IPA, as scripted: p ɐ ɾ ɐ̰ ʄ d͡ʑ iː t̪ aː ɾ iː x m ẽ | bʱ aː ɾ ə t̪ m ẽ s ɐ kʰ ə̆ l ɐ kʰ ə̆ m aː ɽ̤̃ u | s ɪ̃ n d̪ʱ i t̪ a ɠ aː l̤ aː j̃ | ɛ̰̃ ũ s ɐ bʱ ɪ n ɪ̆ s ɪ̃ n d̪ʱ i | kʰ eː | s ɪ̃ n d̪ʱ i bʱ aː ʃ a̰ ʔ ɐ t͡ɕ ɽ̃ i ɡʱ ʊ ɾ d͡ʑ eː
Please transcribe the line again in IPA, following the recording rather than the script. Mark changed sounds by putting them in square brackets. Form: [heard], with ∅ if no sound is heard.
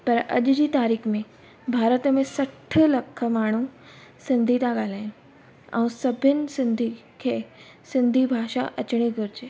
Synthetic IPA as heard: p ɐ ɾ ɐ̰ ʄ d͡ʑ iː t̪ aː ɾ iː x m ẽ | bʱ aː ɾ ə t̪ m ẽ s ɐ [ʈʰ] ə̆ l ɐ kʰ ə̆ m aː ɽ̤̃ u | s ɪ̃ n d̪ʱ i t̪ a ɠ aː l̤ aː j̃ | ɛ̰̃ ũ s ɐ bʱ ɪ n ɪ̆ s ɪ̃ n d̪ʱ i | kʰ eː | s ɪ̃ n d̪ʱ i bʱ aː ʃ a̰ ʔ ɐ t͡ɕ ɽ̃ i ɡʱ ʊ ɾ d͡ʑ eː

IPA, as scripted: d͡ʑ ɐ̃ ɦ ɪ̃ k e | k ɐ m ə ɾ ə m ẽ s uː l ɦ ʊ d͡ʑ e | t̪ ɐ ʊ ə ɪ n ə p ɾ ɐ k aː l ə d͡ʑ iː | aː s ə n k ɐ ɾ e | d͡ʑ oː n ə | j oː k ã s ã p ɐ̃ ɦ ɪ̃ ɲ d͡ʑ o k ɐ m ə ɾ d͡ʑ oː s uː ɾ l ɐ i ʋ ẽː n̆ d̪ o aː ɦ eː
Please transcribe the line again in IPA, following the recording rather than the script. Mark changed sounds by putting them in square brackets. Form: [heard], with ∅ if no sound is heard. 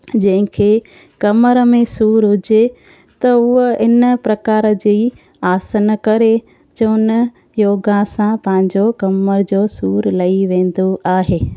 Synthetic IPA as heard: d͡ʑ ɐ̃ ɦ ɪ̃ [kʰ] e | k ɐ m ə ɾ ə m ẽ s uː [ɾ] ɦ ʊ d͡ʑ e | t̪ ɐ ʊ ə ɪ n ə p ɾ ɐ k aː [ɾ] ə d͡ʑ iː | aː s ə n k ɐ ɾ e | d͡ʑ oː n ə | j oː [ɡ] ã s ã p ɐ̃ ɦ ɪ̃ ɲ d͡ʑ o k ɐ m ə ɾ d͡ʑ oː s uː ɾ l ɐ i ʋ ẽː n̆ d̪ o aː ɦ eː

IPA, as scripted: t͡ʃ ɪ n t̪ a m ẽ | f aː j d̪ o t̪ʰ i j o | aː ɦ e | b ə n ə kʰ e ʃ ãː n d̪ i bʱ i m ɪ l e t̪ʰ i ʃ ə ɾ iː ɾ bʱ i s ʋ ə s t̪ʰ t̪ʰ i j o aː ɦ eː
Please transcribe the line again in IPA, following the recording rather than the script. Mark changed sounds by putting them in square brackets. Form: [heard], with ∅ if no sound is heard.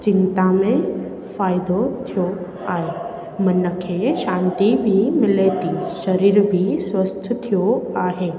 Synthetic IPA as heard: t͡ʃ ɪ n t̪ a m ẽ | f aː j d̪ o t̪ʰ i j o | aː ɦ e | [m] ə n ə kʰ e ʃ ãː n [t̪] i bʱ i m ɪ l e [t̪] i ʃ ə ɾ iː ɾ bʱ i s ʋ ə s t̪ʰ t̪ʰ i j o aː ɦ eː

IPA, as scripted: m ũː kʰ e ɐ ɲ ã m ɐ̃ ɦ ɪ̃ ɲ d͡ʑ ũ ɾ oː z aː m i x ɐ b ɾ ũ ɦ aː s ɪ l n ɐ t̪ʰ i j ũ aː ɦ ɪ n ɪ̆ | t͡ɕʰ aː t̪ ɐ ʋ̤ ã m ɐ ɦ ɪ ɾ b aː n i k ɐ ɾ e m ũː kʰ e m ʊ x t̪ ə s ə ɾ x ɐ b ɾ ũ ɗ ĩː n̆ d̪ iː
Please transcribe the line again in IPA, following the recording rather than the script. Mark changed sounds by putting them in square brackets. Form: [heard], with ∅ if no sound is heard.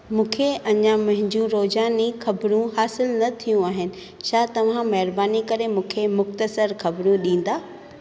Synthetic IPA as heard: m ũː kʰ e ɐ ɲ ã m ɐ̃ ɦ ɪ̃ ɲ d͡ʑ ũ ɾ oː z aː [n] i x ɐ b ɾ ũ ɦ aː s ɪ l n ɐ t̪ʰ i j ũ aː ɦ ɪ n ɪ̆ | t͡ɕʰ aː t̪ ɐ ʋ̤ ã m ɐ ɦ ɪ ɾ b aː n i k ɐ ɾ e m ũː kʰ e m ʊ x t̪ ə s ə ɾ x ɐ b ɾ ũ ɗ ĩː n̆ d̪ [aː]

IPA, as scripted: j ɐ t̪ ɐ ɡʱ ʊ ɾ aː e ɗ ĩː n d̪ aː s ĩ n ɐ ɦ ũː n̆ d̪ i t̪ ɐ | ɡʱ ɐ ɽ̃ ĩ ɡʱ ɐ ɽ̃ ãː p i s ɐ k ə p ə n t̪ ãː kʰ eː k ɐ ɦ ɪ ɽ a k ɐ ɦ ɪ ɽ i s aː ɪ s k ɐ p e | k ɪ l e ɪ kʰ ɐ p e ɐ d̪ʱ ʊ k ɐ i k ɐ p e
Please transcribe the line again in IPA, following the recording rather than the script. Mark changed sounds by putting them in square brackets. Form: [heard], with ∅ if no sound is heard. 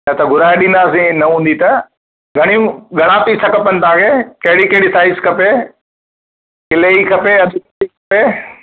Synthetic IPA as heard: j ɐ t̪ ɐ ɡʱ ʊ ɾ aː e ɗ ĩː n d̪ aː s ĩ n ɐ ɦ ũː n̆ d̪ i t̪ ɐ | ɡʱ ɐ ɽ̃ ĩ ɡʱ ɐ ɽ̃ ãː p i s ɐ k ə p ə n t̪ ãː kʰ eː k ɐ ɦ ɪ ɽ [i] k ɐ ɦ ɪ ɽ i s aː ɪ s k ɐ p e | k ɪ l e [i] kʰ ɐ p e ɐ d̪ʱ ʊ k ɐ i k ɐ p e

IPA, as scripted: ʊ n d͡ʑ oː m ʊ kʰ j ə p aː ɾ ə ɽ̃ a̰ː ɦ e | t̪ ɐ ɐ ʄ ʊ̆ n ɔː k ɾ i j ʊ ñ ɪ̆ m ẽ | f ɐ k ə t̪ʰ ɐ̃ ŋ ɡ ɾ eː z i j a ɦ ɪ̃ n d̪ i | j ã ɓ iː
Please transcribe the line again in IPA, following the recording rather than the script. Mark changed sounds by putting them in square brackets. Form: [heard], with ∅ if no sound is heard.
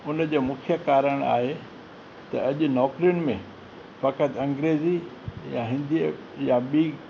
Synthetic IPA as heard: ʊ n d͡ʑ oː m ʊ kʰ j ə [k] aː ɾ ə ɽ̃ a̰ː ɦ e | t̪ ɐ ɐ ʄ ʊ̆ n ɔː k ɾ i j ʊ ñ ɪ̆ m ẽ | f ɐ k ə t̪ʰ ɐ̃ ŋ ɡ ɾ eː z i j a ɦ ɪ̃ n d̪ i | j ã ɓ iː

